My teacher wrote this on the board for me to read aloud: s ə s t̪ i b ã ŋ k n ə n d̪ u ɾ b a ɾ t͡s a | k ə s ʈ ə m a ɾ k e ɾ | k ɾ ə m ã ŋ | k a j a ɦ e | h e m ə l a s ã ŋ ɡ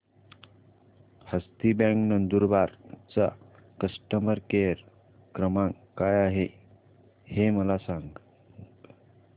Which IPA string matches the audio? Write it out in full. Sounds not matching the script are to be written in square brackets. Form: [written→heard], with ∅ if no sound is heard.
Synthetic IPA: [s→h] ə s t̪ i b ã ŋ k n ə n d̪ u ɾ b a ɾ t͡s a | k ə s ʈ ə m [a→ə] ɾ k e ɾ | k ɾ ə m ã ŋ | k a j a ɦ e | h e m ə l a s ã ŋ ɡ